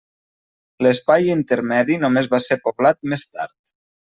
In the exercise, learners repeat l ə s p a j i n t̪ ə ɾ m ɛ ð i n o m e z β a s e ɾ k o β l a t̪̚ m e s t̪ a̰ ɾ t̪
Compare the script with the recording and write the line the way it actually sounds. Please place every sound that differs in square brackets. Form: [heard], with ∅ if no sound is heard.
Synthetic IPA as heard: l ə s p a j i n t̪ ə ɾ m ɛ ð i n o m e z β a s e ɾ [p] o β l a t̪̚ m e s t̪ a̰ ɾ t̪